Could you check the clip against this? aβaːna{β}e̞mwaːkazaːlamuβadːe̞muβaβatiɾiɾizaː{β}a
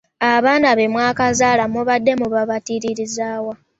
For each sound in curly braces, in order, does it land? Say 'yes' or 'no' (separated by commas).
yes, no